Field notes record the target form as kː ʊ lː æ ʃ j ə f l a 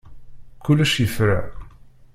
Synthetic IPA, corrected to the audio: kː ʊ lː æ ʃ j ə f ɾ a